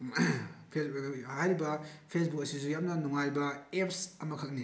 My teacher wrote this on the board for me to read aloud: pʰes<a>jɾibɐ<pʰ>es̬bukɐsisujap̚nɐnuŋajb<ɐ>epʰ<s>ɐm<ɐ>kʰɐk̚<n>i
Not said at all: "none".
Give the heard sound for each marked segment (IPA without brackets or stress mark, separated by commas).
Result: a, pʰ, ɐ, s, ɐ, n